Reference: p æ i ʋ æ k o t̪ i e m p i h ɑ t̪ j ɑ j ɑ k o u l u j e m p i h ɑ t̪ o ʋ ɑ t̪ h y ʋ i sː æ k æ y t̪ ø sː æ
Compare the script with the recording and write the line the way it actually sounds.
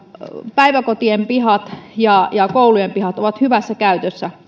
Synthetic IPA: p æ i ʋ æ k o t̪ i e m p i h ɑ t̪ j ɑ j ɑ k o u l u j e m p i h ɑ t̪ o ʋ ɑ t̪ h y ʋ æ sː æ k æ y t̪ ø sː æ